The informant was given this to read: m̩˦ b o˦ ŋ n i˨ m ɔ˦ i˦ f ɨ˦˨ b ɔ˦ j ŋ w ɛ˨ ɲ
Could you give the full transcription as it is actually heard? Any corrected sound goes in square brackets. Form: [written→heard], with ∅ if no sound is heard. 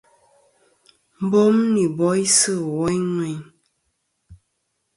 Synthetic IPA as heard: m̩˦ b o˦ [ŋ→m] n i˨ [m→b] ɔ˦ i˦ [f→s] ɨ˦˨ [b→w] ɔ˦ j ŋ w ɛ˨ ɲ